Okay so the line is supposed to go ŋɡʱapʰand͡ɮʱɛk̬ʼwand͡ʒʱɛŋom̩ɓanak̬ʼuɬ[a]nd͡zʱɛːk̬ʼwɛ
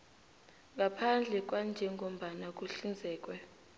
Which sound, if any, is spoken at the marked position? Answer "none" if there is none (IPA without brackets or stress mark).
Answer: i